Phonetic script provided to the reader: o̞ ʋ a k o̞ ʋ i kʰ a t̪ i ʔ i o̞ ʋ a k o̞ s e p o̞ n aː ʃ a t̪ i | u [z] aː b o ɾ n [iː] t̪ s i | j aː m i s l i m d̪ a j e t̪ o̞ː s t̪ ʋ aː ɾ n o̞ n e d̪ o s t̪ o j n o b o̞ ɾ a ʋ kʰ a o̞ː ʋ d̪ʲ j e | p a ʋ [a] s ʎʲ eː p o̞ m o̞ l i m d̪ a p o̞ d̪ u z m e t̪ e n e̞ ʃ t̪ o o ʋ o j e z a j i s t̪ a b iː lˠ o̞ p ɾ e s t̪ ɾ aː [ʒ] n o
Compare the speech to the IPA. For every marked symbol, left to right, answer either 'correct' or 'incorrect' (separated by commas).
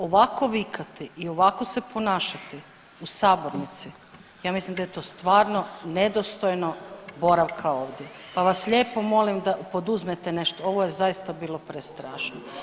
incorrect, incorrect, correct, incorrect